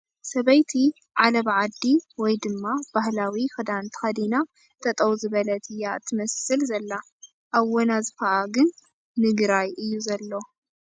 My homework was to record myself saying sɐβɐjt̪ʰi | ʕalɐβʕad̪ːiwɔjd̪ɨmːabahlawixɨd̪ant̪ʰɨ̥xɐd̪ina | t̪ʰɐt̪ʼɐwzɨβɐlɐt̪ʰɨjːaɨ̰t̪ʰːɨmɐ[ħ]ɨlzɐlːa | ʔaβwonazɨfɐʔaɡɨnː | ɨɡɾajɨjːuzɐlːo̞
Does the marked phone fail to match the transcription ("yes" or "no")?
yes